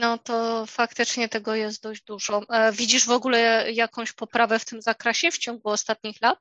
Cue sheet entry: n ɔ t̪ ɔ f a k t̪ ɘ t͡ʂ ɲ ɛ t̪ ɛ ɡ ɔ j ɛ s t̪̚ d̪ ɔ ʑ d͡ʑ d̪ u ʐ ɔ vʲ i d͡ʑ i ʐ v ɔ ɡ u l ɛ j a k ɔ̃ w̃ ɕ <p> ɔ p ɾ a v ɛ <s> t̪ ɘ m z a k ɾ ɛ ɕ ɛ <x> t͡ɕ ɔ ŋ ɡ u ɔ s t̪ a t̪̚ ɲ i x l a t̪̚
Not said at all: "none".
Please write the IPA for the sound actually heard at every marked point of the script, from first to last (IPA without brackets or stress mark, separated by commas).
p, f, f